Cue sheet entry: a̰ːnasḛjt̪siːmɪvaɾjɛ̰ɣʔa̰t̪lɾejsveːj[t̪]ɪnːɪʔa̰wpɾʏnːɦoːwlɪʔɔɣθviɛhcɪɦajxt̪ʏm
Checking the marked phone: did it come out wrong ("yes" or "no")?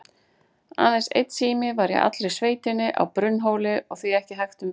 no